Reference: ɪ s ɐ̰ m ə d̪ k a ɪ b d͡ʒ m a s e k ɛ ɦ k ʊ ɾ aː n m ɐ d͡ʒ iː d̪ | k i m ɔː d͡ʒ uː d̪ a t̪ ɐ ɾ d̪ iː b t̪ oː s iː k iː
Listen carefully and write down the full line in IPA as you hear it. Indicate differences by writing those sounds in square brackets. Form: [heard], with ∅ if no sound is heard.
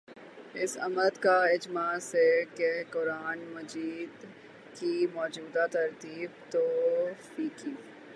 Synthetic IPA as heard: ɪ s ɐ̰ m ə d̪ k a ɪ [∅] d͡ʒ m a s e k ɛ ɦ k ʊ ɾ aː n m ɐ d͡ʒ iː d̪ | k i m ɔː d͡ʒ uː d̪ a t̪ ɐ ɾ [t̪] iː b t̪ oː [f] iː k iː

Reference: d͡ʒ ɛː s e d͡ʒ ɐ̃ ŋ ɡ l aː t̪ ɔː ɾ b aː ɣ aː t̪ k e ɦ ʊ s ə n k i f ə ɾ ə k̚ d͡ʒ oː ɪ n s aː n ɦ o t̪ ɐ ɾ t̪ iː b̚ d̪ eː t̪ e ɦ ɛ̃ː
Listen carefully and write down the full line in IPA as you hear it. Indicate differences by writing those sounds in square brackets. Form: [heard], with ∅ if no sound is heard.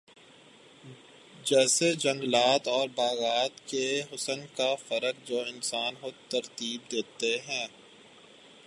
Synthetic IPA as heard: d͡ʒ ɛː s e d͡ʒ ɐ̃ ŋ ɡ l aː t̪ ɔː ɾ b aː ɣ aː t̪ k e ɦ ʊ s ə n k [a] f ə ɾ ə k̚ d͡ʒ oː ɪ n s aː n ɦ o t̪ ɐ ɾ t̪ iː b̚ d̪ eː t̪ e ɦ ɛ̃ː

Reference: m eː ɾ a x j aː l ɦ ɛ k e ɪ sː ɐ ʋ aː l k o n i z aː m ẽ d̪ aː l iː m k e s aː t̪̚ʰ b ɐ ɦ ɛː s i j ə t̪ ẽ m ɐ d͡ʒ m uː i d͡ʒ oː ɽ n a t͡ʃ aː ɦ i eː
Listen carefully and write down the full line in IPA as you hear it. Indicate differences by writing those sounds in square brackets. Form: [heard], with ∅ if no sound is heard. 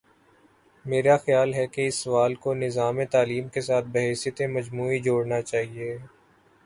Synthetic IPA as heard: m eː ɾ a x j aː l ɦ ɛ k e ɪ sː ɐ ʋ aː l k o n [ɪ] z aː m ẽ [t̪] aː l iː m k e s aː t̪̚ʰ b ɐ ɦ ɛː s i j ə t̪ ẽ m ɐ d͡ʒ m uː i d͡ʒ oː ɽ n a t͡ʃ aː ɦ i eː

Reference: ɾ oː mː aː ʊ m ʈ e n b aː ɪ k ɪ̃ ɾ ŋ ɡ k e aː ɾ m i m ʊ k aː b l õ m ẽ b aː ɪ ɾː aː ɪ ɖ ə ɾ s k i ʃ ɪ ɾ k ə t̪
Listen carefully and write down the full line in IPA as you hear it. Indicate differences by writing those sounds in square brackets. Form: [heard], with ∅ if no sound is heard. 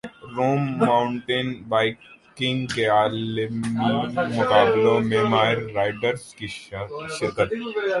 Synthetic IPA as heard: ɾ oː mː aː ʊ [ɳ] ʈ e n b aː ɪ k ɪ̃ [∅] ŋ ɡ k e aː [l] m i m ʊ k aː b l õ m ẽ [m] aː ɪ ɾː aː ɪ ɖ ə ɾ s k i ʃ ɪ ɾ k ə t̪

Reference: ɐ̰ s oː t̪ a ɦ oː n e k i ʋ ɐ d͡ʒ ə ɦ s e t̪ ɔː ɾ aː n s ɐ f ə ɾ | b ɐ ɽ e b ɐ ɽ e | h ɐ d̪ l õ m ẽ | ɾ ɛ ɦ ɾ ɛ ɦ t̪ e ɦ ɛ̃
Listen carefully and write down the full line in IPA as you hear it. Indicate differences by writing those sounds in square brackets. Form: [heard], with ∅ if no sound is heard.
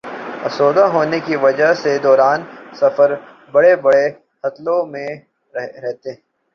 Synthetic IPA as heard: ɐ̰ s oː [d̪] a ɦ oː n e k i ʋ ɐ d͡ʒ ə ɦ s e [d̪] ɔː ɾ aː n s ɐ f ə ɾ | b ɐ ɽ e b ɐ ɽ e | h ɐ [t̪] l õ m ẽ | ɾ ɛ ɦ ɾ ɛ ɦ t̪ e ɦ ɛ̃

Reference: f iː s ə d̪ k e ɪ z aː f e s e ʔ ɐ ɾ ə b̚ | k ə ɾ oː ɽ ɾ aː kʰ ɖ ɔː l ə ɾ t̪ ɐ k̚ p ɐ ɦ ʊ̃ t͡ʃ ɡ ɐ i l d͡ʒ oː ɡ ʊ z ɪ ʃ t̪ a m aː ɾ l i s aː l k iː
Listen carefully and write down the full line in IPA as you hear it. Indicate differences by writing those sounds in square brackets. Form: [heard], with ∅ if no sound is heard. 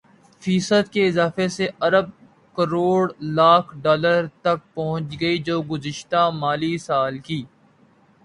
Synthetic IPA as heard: f iː s ə d̪ k e ɪ z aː f e s e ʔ ɐ ɾ ə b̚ | k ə ɾ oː ɽ [l] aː kʰ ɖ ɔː l ə ɾ t̪ ɐ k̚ p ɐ ɦ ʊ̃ t͡ʃ ɡ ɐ i [∅] d͡ʒ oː ɡ ʊ z ɪ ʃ t̪ a m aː [∅] l i s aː l k iː

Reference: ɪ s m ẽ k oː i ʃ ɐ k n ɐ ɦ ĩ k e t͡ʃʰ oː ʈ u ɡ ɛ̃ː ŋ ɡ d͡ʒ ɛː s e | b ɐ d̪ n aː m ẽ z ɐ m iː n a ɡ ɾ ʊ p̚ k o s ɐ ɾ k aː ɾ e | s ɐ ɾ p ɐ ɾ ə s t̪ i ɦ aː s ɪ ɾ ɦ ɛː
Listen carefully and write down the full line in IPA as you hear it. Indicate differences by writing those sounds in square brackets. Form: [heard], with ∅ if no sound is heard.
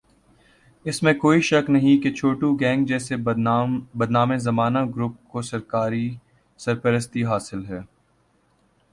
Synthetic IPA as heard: ɪ s m ẽ k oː i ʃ ɐ k n ɐ ɦ ĩ k e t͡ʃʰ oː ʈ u ɡ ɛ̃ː ŋ ɡ d͡ʒ ɛː s e | b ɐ d̪ n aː m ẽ z ɐ m [aː] n a ɡ ɾ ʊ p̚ k o s ɐ ɾ k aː ɾ [i] | s ɐ ɾ p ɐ ɾ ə s t̪ i ɦ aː s ɪ [l] ɦ ɛː

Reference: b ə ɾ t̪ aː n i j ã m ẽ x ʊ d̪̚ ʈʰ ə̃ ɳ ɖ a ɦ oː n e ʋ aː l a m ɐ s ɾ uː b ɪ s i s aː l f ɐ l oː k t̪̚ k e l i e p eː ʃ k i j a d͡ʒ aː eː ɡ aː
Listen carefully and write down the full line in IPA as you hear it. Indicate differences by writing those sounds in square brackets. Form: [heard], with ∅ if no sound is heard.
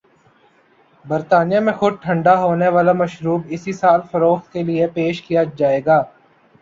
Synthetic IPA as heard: b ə ɾ t̪ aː n i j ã m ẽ x ʊ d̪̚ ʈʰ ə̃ ɳ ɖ a ɦ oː n e ʋ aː l a m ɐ [ʃ] ɾ uː b ɪ s i s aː l f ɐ [ɾ] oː [x] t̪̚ k e l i e p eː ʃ k i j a d͡ʒ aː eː ɡ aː

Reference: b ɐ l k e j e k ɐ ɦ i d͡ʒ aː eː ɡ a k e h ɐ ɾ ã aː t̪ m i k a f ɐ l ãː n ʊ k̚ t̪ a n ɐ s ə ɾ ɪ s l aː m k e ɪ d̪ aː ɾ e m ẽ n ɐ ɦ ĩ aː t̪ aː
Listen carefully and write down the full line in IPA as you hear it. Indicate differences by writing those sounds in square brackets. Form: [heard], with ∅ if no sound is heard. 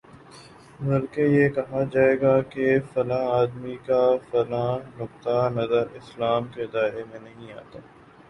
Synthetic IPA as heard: b ɐ l k e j e k ɐ ɦ [a] d͡ʒ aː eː ɡ a k e [f] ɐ [l] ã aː [d̪] m i k a f ɐ l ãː n ʊ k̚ t̪ a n ɐ [z] ə ɾ ɪ s l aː m k e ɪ d̪ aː ɾ e m ẽ n ɐ ɦ ĩ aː t̪ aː

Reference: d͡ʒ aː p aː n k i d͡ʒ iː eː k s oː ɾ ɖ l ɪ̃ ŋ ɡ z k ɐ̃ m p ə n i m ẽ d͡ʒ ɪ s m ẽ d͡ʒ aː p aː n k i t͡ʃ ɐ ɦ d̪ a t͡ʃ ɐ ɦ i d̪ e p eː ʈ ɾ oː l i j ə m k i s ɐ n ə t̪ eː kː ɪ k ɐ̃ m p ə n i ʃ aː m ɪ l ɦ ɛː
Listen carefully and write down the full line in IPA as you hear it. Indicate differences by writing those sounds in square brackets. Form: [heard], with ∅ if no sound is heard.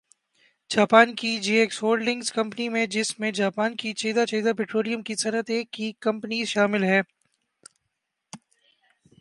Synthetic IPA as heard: d͡ʒ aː p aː n k i d͡ʒ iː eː k s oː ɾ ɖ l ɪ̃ ŋ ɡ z k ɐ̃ m p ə n i m ẽ d͡ʒ ɪ s m ẽ d͡ʒ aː p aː n k i t͡ʃ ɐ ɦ d̪ a t͡ʃ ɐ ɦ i d̪ [a] p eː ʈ ɾ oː l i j ə m k i s ɐ n ə t̪ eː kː [i] k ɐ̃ m p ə n i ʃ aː m ɪ l ɦ ɛː

